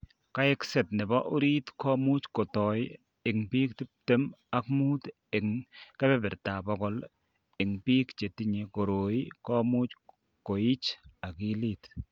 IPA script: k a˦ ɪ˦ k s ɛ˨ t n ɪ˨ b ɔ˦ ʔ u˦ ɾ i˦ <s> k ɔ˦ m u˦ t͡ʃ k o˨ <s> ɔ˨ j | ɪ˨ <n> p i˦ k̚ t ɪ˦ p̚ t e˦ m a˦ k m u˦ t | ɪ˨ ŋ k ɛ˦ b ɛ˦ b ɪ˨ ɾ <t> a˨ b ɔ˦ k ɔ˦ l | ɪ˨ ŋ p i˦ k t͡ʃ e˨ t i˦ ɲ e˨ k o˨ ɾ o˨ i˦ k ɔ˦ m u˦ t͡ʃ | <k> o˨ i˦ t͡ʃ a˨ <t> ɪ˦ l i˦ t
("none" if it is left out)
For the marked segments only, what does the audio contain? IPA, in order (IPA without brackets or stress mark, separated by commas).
t, t, ŋ, t, k, k